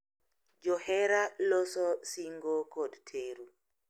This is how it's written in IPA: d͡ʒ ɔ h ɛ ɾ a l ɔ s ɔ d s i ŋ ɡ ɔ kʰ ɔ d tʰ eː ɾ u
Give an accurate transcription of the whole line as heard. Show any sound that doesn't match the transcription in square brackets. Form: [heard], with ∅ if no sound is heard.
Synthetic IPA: d͡ʒ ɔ h ɛ ɾ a l ɔ s ɔ [∅] s i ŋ ɡ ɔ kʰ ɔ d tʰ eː ɾ u